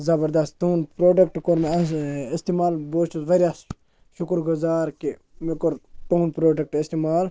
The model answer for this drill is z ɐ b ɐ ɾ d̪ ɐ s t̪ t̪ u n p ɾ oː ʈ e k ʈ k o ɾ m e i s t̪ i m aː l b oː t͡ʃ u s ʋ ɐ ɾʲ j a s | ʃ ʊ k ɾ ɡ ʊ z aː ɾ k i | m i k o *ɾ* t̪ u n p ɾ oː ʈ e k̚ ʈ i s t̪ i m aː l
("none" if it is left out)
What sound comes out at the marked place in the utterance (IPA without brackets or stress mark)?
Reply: ɾ